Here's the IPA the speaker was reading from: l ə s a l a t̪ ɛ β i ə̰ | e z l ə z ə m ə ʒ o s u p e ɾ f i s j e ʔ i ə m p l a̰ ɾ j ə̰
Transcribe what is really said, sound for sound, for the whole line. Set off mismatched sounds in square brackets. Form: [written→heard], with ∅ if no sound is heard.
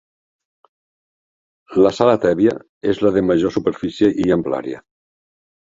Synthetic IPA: l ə s a l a t̪ ɛ β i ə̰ | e z l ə [z→ð] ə m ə ʒ o s u p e ɾ f i s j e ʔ i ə m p l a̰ ɾ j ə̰